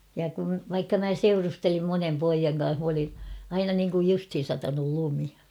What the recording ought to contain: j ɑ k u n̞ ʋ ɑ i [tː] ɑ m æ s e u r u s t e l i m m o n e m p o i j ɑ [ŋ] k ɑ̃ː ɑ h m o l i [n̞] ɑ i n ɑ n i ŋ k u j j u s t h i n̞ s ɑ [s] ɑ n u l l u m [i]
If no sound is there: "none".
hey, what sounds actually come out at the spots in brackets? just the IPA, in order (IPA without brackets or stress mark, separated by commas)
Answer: kː, ŋ, n̞, t, i